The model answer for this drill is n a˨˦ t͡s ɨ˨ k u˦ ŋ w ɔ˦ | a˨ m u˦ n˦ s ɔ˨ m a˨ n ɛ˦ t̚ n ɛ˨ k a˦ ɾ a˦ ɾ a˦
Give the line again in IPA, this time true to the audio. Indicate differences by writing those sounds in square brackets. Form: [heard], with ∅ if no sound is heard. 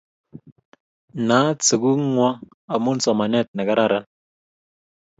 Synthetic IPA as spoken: n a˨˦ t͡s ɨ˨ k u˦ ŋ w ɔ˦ | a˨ m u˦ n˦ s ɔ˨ m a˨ n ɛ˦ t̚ n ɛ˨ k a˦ ɾ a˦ ɾ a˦

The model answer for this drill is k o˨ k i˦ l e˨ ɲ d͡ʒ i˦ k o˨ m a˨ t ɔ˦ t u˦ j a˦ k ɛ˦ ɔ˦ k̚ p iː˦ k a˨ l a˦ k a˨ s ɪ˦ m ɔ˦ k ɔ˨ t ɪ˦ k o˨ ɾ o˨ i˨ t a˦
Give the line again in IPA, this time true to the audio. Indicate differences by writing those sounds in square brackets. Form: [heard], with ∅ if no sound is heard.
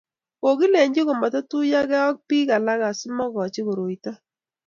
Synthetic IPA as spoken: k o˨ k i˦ l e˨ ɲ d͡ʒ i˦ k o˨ m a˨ t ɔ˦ t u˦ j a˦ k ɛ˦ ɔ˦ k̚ p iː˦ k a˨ l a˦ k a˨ s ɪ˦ m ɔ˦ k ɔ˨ [t͡ʃ] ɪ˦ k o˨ ɾ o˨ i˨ t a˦

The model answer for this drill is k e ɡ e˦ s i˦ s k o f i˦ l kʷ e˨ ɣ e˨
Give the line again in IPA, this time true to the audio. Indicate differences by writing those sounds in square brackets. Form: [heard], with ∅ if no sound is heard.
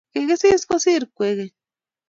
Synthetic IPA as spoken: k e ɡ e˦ s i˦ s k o [s] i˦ [ɾ] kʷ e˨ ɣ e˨

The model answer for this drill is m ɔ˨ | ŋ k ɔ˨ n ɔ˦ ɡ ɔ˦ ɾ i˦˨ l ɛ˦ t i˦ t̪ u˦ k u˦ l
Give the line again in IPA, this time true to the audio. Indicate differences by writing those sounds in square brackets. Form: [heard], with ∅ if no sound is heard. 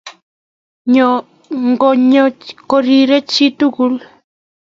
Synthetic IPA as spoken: [ɲ] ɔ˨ | ŋ [ɡ] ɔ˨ [ɲ] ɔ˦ [k] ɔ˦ ɾ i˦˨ [ɾ] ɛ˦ [t͡ʃ] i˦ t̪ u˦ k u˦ l

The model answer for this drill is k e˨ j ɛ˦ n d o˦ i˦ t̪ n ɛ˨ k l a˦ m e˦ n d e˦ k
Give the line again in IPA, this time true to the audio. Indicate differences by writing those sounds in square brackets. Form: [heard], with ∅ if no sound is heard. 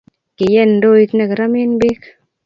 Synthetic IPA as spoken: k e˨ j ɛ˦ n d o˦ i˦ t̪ n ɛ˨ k [ɾ] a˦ m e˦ n [b] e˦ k

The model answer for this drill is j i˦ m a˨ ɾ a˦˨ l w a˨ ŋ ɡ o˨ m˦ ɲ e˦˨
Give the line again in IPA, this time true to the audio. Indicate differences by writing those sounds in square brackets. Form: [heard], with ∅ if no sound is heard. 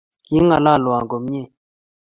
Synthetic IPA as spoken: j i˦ [ŋ] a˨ [l] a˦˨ l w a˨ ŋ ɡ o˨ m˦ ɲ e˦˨

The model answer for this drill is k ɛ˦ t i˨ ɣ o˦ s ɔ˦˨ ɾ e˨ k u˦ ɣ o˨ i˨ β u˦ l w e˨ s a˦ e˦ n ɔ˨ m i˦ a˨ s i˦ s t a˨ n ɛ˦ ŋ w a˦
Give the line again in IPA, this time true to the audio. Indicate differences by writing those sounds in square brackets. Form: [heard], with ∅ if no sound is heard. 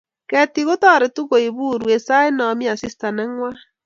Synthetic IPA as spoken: k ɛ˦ t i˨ ɣ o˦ [t] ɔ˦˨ ɾ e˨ [t] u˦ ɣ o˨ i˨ β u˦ [ɾ] w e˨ s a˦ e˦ n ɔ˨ m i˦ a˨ s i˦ s t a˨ n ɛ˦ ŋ w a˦

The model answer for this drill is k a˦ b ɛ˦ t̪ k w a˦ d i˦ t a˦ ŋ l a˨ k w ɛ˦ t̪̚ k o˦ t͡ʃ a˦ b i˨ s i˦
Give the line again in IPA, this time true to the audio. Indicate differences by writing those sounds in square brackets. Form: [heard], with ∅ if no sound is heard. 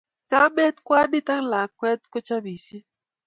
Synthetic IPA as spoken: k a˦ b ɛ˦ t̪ k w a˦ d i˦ t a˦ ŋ l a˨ k w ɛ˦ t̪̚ k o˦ t͡ʃ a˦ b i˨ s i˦

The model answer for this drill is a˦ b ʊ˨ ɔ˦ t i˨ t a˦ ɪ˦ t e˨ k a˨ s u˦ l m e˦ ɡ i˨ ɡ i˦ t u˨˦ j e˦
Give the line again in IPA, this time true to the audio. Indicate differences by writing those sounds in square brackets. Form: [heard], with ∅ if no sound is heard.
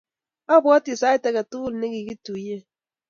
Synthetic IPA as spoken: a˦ b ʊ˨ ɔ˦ t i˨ [s] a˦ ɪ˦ t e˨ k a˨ [t] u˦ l [n] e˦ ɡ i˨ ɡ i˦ t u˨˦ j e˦

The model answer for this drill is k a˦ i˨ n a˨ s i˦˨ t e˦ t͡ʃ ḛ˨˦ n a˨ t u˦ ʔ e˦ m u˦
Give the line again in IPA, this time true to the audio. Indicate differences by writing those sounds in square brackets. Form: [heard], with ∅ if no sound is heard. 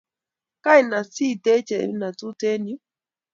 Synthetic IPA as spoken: k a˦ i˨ n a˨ s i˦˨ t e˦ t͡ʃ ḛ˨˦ n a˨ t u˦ [t] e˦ [n] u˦

